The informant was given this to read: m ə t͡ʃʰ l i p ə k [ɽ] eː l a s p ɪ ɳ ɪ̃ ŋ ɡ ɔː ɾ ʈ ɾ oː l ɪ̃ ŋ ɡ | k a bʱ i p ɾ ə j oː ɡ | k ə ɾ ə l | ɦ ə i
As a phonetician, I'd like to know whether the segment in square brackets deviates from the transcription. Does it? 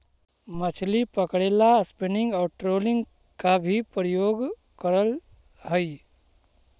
no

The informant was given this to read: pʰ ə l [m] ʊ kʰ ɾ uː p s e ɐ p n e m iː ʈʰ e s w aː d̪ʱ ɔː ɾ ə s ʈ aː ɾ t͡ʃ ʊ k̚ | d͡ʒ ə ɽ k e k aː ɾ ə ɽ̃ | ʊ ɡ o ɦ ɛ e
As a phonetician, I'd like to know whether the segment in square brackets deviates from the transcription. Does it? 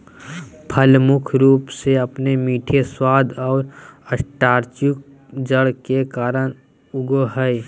no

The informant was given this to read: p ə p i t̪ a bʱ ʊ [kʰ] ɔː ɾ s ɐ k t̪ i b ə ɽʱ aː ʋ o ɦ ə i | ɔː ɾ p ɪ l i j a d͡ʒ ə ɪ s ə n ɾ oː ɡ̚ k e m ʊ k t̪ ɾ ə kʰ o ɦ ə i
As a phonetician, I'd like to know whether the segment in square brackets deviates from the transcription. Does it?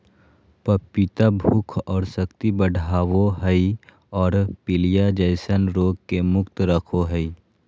no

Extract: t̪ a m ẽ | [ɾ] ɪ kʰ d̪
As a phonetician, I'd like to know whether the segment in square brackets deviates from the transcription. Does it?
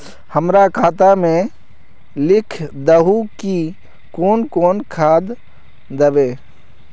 yes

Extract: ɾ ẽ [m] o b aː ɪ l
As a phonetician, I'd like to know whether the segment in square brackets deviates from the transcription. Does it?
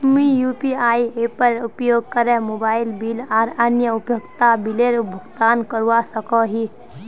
no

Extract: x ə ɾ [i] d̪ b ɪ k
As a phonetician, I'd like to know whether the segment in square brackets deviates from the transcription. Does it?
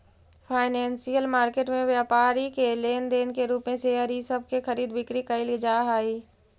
yes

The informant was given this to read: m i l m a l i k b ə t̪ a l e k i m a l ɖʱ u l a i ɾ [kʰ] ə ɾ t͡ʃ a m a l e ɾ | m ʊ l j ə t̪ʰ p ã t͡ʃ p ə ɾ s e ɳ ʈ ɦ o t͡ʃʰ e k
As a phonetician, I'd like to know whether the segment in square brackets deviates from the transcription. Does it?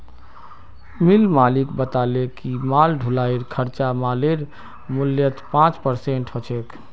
no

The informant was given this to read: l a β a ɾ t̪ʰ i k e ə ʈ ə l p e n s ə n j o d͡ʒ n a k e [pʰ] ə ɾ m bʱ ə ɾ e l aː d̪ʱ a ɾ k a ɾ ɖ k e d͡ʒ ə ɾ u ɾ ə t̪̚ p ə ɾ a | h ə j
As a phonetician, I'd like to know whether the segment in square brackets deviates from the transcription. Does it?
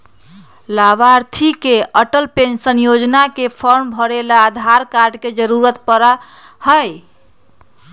no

